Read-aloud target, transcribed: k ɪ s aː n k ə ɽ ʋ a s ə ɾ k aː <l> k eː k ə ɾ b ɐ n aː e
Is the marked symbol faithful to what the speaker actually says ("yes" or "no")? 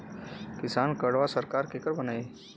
no